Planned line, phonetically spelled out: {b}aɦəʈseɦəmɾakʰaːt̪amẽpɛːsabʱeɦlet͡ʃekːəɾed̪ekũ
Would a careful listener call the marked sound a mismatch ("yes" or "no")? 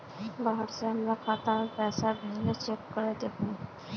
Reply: no